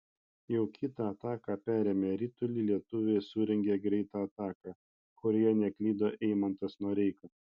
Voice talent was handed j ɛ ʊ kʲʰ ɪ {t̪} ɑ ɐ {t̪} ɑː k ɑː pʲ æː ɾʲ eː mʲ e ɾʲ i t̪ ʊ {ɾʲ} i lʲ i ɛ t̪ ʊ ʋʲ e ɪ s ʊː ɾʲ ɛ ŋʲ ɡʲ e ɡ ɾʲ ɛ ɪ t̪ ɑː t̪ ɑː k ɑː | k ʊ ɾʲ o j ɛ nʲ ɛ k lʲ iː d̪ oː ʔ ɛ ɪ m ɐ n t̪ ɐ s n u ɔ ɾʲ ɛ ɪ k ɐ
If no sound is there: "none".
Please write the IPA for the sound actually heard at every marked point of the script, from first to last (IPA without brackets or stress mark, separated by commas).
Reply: t̪, t̪, lʲ